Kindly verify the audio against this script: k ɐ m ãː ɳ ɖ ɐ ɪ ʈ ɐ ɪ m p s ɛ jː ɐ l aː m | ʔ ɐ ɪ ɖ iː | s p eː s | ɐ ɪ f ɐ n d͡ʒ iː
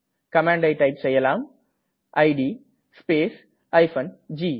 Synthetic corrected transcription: k ɐ m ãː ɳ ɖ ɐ ɪ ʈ ɐ ɪ p s ɛ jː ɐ l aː m | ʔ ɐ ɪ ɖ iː | s p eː s | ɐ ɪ f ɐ n d͡ʒ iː